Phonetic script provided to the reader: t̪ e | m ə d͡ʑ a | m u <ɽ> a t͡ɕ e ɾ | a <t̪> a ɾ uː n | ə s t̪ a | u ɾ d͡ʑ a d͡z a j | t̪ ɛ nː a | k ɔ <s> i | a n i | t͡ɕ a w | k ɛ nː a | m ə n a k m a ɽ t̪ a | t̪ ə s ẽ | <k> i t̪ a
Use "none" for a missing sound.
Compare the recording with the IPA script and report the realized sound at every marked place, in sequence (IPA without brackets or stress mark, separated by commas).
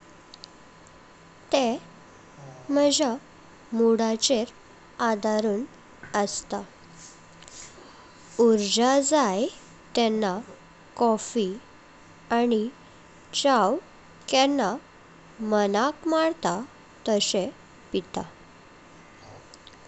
ɽ, d̪, f, p